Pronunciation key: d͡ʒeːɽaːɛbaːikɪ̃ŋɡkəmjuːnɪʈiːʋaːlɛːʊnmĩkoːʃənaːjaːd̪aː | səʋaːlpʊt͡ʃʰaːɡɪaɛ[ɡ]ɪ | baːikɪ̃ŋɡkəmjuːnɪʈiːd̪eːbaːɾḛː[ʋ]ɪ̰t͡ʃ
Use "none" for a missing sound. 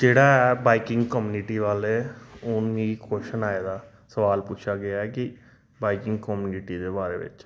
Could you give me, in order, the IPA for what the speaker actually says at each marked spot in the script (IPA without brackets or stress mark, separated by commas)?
k, ʋ